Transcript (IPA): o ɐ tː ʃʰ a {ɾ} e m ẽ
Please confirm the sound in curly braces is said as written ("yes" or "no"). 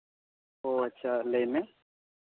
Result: no